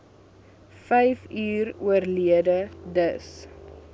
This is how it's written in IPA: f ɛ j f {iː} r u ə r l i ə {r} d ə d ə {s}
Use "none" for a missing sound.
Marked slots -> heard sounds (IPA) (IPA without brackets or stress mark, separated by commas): yː, none, s